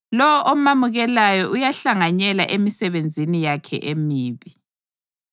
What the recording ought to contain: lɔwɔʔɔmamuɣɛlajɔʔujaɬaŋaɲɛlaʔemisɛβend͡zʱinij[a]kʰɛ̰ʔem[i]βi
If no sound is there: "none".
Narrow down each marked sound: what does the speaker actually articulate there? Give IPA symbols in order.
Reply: a, iː

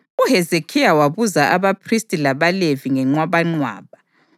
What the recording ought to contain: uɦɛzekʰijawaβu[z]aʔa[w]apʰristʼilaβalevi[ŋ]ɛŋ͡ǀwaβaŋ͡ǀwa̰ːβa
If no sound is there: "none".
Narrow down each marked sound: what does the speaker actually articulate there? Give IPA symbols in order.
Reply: z, β, ŋ

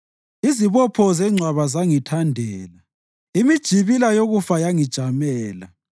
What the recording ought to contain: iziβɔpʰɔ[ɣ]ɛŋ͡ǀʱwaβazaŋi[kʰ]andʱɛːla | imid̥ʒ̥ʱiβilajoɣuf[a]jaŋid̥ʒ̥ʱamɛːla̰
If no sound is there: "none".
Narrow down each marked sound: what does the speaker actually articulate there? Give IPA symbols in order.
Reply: z, tʰ, a

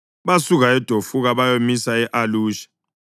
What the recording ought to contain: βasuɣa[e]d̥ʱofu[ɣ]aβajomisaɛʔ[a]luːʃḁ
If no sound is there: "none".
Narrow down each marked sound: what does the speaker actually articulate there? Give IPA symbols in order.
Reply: ɛ, ɣ, a

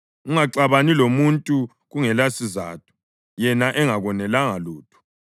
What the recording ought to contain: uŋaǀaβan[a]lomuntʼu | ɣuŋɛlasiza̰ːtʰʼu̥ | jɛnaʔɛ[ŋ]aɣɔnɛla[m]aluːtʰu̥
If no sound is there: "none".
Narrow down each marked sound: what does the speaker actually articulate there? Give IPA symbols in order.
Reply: i, ŋ, ŋ

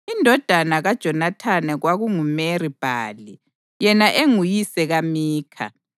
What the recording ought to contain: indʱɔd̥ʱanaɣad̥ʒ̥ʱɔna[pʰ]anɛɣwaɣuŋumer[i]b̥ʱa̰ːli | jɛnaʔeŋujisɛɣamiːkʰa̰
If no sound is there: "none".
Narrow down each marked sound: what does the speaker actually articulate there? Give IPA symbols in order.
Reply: tʰ, i

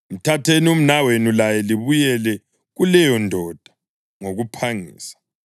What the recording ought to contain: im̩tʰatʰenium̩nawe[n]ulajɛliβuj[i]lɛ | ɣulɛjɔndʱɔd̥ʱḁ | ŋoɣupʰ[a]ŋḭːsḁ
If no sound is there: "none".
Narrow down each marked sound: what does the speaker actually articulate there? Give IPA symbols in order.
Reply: n, ɛ, a

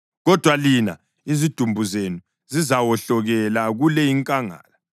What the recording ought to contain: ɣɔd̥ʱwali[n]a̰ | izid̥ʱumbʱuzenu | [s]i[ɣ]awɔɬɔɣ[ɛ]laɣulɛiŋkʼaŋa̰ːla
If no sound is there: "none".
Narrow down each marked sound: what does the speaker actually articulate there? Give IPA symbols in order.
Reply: n, z, z, ɛ

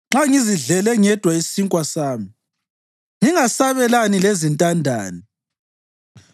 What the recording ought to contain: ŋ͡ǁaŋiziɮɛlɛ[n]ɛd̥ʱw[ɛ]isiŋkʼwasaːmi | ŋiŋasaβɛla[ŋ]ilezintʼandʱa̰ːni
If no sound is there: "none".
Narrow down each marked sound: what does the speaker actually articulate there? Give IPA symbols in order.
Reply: ŋ, a, n

